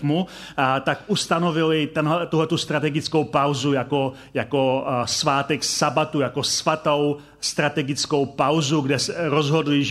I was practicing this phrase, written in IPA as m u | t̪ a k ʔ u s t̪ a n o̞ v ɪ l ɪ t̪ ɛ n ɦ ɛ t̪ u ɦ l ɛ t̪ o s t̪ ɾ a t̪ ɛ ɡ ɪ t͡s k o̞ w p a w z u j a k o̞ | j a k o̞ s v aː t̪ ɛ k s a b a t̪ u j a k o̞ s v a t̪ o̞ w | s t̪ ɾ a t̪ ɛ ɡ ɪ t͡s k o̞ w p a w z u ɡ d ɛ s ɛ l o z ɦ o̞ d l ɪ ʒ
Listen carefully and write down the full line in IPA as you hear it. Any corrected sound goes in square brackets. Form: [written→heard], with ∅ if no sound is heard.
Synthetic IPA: m u | t̪ a k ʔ u s t̪ a n o̞ v ɪ l ɪ t̪ ɛ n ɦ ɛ t̪ u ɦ l ɛ t̪ [o→u] s t̪ ɾ a t̪ ɛ ɡ ɪ t͡s k o̞ w p a w z u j a k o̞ | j a k o̞ s v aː t̪ ɛ k s a b a t̪ u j a k o̞ s v a t̪ o̞ w | s t̪ ɾ a t̪ ɛ ɡ ɪ t͡s k o̞ w p a w z u ɡ d ɛ s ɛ [l→ɾ] o z ɦ o̞ d l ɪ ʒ